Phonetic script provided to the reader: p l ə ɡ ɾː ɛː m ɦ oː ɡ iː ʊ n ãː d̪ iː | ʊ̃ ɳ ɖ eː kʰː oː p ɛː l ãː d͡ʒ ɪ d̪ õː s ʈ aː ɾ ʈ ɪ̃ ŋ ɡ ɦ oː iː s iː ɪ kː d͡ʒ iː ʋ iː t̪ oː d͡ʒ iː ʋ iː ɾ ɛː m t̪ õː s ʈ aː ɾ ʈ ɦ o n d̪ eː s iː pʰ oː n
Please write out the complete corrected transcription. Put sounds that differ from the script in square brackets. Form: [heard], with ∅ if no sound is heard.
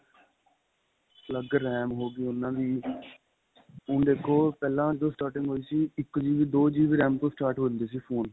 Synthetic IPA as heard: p l ə ɡ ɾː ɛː m ɦ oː ɡ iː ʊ n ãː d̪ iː | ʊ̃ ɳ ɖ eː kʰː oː p ɛː l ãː d͡ʒ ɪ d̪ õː s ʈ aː ɾ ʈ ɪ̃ ŋ ɡ ɦ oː iː s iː ɪ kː d͡ʒ iː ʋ iː [d̪] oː d͡ʒ iː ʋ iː ɾ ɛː m t̪ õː s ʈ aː ɾ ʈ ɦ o n d̪ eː s iː pʰ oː n